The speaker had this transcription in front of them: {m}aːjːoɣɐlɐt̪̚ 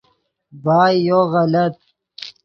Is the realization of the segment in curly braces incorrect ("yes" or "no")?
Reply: yes